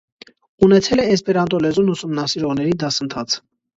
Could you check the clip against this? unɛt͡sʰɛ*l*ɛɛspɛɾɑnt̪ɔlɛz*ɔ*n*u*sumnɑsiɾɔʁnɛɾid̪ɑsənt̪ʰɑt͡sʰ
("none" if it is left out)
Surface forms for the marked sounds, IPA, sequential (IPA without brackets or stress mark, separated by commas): l, u, u